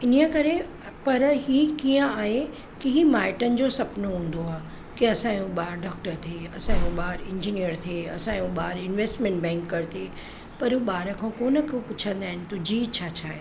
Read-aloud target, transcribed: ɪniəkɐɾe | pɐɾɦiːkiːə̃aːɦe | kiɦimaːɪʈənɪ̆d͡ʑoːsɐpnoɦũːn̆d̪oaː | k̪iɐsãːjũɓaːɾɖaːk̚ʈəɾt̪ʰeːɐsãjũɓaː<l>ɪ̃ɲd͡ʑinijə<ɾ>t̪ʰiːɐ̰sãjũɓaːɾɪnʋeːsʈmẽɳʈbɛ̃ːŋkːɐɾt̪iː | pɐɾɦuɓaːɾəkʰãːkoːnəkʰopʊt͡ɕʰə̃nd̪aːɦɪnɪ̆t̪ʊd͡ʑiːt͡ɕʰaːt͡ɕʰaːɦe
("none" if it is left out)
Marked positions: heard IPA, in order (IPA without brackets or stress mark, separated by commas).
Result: ɾ, ɾ